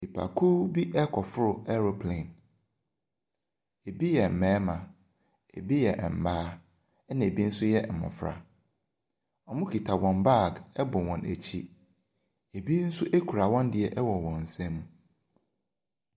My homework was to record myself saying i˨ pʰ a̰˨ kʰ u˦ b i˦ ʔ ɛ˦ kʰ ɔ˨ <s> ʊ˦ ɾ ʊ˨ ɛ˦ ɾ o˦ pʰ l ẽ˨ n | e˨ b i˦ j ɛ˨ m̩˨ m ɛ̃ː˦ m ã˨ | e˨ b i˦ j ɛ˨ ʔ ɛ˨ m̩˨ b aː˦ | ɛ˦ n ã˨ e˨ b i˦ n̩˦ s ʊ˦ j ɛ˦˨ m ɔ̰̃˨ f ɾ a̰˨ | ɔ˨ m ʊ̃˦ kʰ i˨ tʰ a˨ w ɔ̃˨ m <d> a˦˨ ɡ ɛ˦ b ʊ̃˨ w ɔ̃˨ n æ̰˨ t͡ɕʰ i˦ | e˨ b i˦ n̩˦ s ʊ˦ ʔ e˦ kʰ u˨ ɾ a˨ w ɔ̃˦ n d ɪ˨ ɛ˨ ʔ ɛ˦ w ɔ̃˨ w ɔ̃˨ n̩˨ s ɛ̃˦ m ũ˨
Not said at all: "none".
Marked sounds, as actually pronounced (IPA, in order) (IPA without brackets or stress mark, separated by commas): f, b